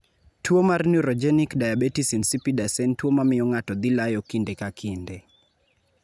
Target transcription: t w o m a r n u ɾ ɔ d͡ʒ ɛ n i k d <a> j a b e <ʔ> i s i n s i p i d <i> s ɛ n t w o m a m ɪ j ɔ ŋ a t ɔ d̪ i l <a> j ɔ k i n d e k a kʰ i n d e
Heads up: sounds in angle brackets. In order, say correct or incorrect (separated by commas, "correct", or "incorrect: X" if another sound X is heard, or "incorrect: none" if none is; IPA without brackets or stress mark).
correct, incorrect: t, incorrect: a, correct